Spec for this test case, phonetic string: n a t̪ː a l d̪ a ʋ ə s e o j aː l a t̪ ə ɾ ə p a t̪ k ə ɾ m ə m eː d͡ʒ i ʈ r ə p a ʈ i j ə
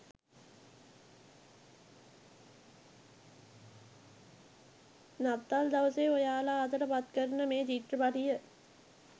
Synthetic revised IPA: n a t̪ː a l d̪ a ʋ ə s e o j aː l a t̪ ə ɾ ə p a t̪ k ə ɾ n ə m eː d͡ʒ i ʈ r ə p a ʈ i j ə

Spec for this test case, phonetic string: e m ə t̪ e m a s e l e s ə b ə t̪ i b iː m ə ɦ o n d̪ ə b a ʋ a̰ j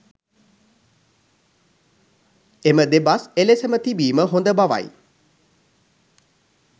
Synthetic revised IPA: e m ə d̪ e b a s e l e s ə m ə t̪ i b iː m ə ɦ o n d̪ ə b a ʋ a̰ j

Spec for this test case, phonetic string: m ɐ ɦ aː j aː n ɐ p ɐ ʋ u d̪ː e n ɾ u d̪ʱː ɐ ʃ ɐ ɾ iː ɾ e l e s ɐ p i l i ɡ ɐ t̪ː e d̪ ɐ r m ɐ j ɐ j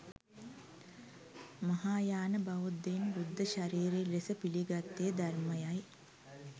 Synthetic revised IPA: m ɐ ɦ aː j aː n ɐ b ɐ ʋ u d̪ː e n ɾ u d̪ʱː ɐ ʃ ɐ ɾ iː ɾ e l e s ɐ p i l i ɡ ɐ t̪ː e d̪ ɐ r m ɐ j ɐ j

